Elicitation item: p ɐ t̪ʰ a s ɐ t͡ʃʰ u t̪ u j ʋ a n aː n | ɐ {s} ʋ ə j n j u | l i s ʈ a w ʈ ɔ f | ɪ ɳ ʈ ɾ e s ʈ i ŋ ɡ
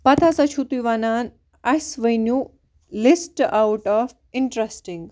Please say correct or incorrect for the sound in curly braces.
correct